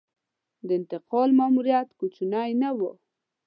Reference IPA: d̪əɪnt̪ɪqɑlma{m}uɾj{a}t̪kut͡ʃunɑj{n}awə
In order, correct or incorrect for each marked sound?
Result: correct, correct, correct

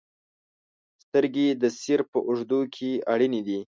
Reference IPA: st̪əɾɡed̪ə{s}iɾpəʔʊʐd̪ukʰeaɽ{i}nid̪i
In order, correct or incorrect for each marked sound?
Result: correct, correct

